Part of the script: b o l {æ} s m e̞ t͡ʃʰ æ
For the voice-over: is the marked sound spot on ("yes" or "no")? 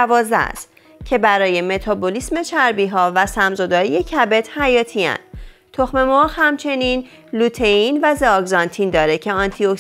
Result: no